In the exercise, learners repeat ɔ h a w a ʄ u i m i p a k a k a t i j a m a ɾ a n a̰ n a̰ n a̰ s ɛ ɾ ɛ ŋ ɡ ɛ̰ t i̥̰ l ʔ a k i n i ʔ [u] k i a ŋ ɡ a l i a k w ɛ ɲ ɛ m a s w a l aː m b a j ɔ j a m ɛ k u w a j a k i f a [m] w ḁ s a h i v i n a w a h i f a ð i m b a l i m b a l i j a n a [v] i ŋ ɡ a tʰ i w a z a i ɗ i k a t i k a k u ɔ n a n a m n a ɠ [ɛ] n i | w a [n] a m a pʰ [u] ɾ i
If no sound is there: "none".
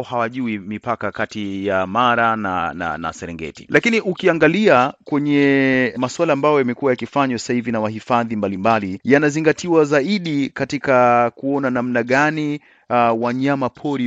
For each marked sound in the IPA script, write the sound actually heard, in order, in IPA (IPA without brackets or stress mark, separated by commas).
u, ɲ, z, a, ɲ, ɔ